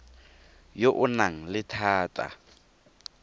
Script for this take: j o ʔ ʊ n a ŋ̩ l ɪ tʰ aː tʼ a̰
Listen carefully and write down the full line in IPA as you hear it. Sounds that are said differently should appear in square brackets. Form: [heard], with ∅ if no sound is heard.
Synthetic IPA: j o ʔ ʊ n a ŋ̩ l ɪ tʰ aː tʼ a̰